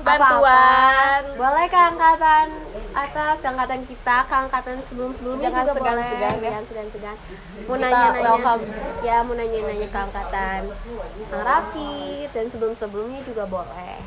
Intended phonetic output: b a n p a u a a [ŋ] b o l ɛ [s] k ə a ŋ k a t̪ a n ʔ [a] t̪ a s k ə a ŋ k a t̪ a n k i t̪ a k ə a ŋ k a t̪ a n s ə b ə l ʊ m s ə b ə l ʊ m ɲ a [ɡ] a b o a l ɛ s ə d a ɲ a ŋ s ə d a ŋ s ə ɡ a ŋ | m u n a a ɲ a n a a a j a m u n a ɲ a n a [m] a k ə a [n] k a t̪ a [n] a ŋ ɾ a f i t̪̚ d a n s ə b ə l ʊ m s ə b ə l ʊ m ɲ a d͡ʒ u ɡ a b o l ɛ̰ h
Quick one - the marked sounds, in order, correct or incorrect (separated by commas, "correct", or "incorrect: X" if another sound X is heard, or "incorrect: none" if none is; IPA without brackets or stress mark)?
incorrect: n, incorrect: h, correct, correct, incorrect: ɲ, incorrect: ŋ, correct